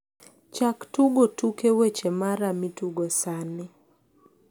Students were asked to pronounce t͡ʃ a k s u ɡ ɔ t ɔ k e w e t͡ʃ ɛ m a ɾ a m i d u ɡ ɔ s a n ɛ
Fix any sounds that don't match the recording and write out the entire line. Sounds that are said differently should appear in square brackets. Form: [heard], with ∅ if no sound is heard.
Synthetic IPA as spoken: t͡ʃ a k [t] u ɡ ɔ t [u] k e w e t͡ʃ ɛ m a ɾ a m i [t] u ɡ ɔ s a n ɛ